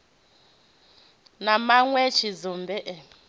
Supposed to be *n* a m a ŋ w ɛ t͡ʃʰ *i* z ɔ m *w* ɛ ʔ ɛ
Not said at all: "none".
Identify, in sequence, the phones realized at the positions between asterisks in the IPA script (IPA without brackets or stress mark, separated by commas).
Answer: n, i, b